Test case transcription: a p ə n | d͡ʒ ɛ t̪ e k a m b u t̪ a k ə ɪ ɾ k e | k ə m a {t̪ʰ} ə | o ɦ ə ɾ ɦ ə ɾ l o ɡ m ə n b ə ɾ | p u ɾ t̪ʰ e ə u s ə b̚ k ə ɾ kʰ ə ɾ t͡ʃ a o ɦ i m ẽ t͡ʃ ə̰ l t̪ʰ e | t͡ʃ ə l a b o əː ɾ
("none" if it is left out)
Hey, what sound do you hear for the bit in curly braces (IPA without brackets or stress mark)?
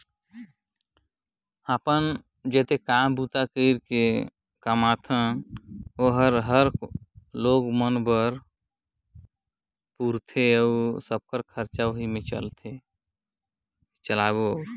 t̪ʰ